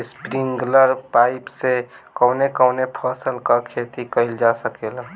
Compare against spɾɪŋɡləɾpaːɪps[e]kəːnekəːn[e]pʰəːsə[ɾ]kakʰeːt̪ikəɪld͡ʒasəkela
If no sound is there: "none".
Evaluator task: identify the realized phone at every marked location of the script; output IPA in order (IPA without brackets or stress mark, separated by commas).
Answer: e, e, l